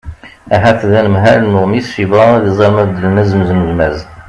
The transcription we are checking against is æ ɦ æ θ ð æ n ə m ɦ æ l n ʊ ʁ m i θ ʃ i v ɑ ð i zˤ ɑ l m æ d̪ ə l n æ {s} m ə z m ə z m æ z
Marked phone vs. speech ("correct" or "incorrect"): incorrect